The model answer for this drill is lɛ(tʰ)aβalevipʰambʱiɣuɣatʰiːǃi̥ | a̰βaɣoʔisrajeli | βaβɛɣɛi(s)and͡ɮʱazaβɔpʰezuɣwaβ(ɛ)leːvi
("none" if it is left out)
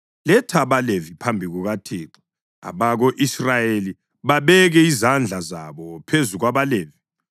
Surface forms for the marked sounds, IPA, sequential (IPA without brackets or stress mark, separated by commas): tʰ, z, a